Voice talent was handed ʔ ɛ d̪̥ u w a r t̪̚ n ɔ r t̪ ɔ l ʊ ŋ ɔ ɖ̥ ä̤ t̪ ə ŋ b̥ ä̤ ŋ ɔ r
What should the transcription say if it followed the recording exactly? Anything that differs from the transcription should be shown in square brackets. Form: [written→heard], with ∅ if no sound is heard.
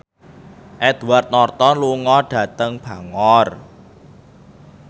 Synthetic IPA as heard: ʔ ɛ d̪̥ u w a r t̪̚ n ɔ r t̪ ɔ l [ʊ→u] ŋ ɔ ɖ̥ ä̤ t̪ ə ŋ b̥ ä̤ ŋ ɔ r